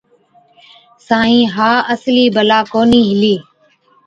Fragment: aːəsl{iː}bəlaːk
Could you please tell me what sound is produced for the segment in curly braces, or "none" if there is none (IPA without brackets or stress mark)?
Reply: iː